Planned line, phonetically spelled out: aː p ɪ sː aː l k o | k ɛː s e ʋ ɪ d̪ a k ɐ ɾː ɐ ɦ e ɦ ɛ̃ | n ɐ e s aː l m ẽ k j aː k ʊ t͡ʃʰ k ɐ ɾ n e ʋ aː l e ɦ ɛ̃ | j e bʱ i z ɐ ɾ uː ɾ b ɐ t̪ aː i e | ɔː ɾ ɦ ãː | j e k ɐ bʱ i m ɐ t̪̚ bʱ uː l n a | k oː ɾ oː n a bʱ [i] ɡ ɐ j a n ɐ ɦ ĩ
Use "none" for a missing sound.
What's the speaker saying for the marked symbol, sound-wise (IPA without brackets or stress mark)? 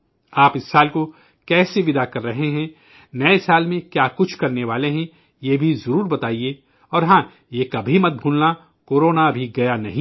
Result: i